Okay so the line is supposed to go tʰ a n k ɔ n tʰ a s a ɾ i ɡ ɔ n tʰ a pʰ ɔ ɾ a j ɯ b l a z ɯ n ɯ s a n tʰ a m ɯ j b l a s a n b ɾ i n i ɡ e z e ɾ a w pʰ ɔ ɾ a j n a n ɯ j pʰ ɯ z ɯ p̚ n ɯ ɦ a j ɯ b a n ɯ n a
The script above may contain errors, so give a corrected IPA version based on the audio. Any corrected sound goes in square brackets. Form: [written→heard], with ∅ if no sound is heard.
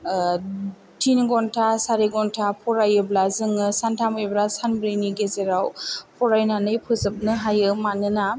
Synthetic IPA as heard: tʰ [a→i] n [k→ɡ] ɔ n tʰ a s a ɾ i ɡ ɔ n tʰ a pʰ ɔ ɾ a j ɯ b l a z ɯ [n→ŋ] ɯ s a n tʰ a m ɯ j b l a s a n b ɾ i n i ɡ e z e ɾ a w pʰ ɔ ɾ a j n a n ɯ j pʰ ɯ z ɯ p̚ n ɯ ɦ a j ɯ [b→m] a n ɯ n a